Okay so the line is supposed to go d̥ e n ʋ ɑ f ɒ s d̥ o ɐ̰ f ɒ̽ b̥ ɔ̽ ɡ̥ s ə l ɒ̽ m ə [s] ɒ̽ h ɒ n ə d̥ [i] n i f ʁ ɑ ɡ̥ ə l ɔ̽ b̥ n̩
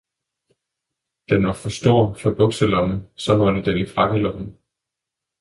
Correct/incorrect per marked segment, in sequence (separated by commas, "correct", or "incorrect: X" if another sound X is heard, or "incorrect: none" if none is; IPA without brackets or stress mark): correct, incorrect: e